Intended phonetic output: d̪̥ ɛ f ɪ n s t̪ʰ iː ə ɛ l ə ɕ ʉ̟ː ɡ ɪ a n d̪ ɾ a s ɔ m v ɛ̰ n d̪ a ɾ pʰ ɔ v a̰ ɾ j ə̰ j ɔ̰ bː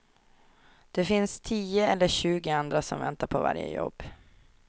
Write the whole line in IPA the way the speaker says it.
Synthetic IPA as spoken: d̪̥ ɛ f ɪ n s t̪ʰ iː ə ɛ lː ə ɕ ʉ̟ː ɡ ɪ a n d̪ ɾ a s ɔ m v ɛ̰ n t̪ a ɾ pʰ ɔ v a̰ ɾ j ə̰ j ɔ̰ bː